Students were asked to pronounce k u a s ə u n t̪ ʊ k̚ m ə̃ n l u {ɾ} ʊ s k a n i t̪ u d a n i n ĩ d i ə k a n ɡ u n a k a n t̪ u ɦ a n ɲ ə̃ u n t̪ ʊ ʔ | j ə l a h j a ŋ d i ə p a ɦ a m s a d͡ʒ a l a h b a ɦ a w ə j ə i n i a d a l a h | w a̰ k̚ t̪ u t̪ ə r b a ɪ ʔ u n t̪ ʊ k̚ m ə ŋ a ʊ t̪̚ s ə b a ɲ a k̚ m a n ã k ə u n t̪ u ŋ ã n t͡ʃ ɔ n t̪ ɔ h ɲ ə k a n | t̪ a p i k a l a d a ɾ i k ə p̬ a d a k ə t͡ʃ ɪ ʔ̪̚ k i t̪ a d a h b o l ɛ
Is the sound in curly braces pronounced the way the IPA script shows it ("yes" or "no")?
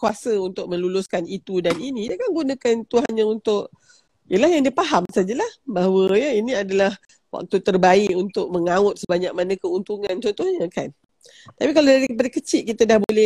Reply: no